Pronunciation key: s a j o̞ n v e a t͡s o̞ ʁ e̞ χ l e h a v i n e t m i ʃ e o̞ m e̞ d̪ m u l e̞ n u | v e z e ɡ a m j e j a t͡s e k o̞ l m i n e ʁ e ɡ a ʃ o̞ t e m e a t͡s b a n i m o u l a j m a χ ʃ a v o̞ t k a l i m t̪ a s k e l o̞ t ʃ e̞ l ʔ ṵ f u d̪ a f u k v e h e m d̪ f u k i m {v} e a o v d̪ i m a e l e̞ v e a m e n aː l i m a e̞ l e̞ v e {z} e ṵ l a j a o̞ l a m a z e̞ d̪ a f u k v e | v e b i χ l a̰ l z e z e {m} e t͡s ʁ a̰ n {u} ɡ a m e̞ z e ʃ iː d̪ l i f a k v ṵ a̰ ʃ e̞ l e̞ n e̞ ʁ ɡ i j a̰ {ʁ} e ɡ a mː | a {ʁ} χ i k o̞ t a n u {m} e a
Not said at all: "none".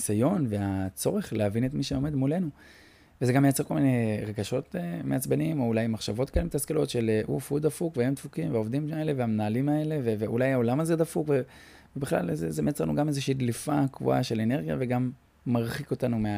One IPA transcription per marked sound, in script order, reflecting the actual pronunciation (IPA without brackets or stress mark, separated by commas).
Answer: v, v, m, u, v, ʁ, m